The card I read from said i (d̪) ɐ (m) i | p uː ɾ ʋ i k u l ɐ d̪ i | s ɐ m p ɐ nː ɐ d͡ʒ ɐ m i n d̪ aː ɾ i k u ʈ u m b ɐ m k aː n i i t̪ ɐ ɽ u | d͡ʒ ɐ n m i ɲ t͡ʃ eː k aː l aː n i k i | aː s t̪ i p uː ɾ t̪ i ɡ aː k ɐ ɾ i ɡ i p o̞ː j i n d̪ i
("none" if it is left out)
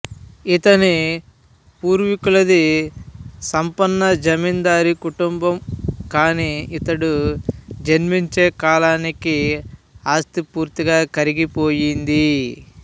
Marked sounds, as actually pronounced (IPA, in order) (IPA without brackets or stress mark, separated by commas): t̪, n